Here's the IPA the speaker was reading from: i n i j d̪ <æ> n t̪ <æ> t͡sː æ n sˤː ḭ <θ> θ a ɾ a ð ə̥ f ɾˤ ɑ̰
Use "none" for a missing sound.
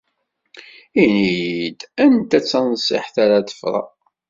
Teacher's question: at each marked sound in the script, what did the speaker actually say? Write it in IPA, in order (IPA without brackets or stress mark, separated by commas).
æ, æ, ħ